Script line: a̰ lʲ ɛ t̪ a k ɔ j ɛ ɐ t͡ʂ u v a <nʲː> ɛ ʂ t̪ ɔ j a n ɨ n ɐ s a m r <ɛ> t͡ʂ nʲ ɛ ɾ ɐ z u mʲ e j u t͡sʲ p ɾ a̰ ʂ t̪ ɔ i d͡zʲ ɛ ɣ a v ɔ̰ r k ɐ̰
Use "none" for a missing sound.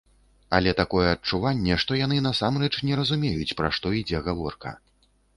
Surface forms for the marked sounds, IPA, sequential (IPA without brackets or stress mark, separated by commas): nʲː, ɛ